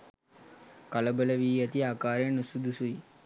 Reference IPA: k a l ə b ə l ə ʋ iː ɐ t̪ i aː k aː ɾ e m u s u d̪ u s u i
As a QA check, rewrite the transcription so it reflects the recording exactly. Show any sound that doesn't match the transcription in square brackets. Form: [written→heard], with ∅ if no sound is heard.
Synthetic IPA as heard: k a l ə b ə l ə ʋ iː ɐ t̪ i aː k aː ɾ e [m→n] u s u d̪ u s u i